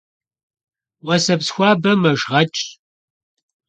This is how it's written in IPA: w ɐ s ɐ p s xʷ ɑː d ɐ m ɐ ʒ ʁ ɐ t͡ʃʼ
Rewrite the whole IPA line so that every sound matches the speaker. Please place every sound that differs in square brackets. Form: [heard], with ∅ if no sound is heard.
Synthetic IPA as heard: w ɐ s ɐ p s xʷ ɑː [b] ɐ m ɐ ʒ ʁ ɐ t͡ʃʼ